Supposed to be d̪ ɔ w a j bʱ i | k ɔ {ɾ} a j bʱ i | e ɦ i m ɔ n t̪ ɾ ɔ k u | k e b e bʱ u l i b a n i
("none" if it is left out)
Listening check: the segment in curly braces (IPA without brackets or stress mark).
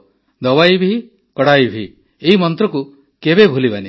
ɽ